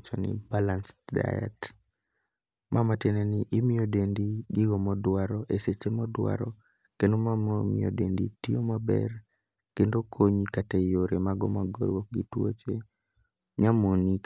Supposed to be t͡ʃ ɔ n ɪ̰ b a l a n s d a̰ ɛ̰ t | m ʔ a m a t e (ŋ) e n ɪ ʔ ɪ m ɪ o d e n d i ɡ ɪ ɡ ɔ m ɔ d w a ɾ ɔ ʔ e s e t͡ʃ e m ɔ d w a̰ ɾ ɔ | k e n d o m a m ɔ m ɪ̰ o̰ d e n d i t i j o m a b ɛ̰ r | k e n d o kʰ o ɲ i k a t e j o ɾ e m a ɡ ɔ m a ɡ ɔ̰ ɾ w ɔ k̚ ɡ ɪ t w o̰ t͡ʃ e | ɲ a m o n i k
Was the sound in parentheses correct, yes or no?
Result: no